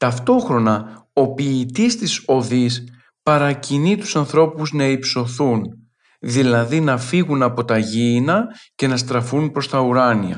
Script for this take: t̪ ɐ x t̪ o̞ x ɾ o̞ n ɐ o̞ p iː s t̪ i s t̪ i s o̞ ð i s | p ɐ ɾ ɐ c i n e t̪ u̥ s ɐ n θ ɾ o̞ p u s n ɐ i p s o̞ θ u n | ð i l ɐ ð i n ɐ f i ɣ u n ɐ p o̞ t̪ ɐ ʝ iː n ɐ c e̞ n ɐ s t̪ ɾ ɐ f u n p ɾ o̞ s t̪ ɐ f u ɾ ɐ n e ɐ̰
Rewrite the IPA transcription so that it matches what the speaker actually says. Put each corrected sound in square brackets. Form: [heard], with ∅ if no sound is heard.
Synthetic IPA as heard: t̪ ɐ [f] t̪ o̞ x ɾ o̞ n ɐ o̞ p iː [∅] t̪ i s t̪ i s o̞ ð i s | p ɐ ɾ ɐ c i n [i] t̪ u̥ s ɐ n θ ɾ o̞ p u [z] n ɐ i p s o̞ θ u n | ð i l ɐ ð i n ɐ f i ɣ u n ɐ p o̞ t̪ ɐ ʝ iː n ɐ c e̞ n ɐ s t̪ ɾ ɐ f u n p ɾ o̞ s t̪ ɐ [∅] u ɾ ɐ n [i] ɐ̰